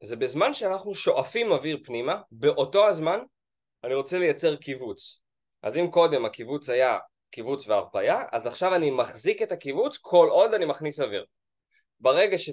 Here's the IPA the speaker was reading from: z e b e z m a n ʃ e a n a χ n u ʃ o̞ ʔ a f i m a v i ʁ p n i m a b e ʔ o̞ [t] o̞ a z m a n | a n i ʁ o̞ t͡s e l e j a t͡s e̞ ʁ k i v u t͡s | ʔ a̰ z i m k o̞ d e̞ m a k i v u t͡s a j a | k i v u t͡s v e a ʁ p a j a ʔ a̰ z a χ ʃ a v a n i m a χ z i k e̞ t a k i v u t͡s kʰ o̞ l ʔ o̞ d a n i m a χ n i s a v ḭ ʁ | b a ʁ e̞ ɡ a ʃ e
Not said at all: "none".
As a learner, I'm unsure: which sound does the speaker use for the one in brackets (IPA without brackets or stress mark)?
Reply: t